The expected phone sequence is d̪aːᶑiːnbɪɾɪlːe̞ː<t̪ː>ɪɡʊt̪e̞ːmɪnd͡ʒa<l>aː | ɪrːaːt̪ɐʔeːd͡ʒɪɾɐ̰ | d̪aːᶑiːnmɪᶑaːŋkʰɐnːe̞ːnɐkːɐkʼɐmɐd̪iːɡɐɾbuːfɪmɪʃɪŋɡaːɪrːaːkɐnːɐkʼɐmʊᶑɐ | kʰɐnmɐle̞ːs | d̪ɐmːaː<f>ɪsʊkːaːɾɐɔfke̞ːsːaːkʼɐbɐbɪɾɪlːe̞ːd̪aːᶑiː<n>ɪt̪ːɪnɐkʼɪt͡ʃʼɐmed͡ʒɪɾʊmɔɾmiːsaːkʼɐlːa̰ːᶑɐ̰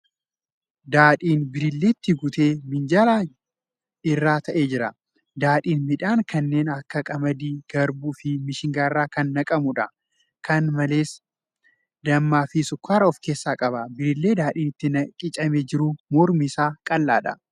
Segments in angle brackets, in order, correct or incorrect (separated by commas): correct, correct, correct, correct